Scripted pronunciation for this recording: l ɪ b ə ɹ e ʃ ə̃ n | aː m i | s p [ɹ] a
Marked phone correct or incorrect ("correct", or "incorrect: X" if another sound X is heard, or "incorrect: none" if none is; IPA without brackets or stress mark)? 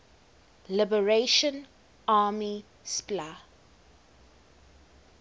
incorrect: l